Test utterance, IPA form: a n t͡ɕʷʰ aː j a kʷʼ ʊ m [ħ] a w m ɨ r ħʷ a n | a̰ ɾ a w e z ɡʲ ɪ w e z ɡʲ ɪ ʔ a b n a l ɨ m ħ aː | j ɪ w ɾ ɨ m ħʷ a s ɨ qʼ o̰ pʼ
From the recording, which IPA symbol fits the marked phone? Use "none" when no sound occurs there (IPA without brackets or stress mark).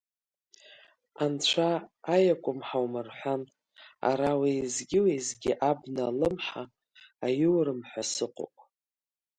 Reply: ħ